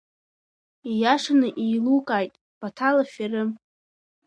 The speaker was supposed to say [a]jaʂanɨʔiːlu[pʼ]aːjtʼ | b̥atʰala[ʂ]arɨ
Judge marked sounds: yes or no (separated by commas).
no, no, no